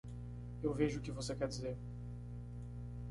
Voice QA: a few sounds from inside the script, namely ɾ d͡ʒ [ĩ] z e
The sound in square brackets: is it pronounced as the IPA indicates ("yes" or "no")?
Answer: no